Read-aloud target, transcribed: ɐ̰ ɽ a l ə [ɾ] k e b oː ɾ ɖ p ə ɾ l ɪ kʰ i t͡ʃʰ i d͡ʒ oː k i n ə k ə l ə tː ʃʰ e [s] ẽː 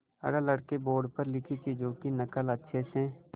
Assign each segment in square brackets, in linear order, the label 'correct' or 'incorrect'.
incorrect: ɽ, correct

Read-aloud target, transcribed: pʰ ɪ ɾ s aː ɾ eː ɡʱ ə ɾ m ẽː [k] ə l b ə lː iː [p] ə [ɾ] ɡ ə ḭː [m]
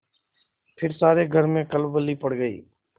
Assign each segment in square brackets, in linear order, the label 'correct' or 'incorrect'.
correct, correct, incorrect: ɽ, incorrect: none

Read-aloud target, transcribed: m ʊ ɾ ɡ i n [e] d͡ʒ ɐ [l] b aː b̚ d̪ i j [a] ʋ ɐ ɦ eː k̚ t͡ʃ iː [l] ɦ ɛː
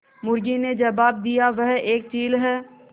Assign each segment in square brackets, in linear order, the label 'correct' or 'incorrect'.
correct, incorrect: none, correct, correct

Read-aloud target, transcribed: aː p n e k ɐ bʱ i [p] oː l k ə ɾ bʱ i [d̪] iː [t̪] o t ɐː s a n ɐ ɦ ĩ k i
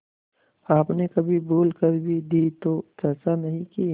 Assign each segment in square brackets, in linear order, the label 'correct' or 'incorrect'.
incorrect: b, correct, correct

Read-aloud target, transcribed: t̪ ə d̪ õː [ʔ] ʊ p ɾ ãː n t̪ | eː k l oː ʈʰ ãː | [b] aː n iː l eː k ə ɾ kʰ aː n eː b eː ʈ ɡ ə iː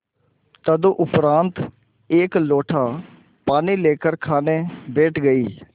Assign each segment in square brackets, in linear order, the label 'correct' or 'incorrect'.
correct, incorrect: p

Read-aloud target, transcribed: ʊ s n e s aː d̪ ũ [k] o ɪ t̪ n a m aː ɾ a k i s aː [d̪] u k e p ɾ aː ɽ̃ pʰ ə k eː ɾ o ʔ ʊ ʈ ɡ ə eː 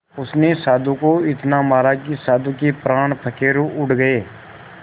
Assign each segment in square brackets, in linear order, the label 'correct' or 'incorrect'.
correct, correct

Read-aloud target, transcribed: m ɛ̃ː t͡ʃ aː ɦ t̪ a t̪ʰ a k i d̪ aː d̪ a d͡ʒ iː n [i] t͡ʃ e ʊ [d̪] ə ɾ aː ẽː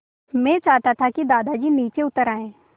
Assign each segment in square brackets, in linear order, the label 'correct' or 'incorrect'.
incorrect: iː, incorrect: t̪

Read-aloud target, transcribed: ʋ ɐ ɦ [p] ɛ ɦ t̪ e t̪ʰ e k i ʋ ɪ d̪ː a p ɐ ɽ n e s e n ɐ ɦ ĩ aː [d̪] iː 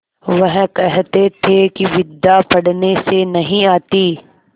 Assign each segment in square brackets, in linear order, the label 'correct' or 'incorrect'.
incorrect: k, incorrect: t̪

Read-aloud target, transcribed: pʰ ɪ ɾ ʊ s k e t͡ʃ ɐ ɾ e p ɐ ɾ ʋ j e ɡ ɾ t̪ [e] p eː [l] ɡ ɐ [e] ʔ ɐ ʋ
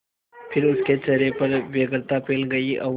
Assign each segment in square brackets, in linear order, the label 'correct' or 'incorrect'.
incorrect: a, correct, incorrect: i

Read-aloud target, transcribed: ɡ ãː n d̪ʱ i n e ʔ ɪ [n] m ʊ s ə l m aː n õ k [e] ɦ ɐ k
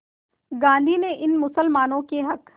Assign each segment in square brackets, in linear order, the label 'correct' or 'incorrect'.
correct, correct

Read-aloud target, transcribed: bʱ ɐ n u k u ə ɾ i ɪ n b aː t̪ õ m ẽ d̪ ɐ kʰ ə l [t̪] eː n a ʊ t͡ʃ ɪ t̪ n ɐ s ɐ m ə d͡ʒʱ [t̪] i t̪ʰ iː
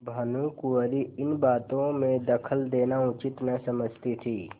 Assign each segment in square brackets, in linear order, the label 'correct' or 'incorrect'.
incorrect: d̪, correct

